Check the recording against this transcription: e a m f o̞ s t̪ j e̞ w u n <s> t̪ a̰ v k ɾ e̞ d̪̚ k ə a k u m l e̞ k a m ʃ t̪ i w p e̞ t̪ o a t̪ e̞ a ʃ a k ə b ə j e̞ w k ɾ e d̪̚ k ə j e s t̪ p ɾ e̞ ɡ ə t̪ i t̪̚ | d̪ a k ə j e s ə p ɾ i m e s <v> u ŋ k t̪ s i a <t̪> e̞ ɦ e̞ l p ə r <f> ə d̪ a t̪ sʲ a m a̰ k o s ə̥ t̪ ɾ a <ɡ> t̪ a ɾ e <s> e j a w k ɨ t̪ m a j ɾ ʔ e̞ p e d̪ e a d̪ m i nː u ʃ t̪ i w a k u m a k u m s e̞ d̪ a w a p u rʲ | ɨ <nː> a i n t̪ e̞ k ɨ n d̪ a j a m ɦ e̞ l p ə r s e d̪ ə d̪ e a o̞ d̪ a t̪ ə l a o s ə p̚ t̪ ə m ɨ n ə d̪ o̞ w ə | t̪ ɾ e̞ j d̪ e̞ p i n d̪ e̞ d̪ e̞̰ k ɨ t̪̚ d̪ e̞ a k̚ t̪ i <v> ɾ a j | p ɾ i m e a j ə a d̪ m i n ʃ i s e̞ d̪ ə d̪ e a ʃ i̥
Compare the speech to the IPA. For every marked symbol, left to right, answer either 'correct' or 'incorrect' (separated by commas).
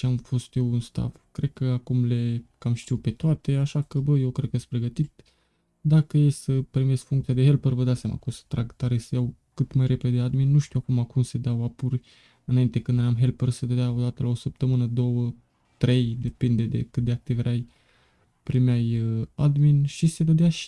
correct, incorrect, incorrect, incorrect, correct, correct, incorrect, correct